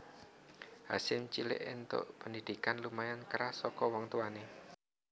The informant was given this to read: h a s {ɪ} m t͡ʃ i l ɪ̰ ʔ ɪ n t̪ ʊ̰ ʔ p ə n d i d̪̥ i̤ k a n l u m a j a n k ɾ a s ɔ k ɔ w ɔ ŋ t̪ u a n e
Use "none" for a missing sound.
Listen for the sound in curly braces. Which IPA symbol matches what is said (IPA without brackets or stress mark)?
ɪ